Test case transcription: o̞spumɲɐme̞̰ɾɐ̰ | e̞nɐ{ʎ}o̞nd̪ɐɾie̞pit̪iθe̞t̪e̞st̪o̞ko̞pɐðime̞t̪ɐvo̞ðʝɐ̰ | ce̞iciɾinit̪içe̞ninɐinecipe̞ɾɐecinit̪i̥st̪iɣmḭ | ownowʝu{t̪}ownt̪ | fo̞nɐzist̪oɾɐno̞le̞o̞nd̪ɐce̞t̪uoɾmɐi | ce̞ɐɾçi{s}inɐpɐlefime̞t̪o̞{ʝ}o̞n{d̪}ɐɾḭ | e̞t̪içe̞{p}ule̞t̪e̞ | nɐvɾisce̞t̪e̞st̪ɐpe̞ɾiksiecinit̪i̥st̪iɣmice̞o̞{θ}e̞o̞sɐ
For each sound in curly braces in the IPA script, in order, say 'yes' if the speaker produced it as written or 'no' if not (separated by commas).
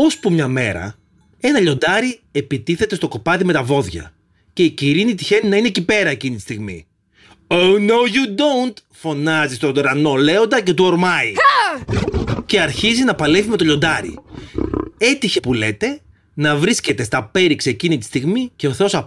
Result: yes, no, no, no, yes, yes, yes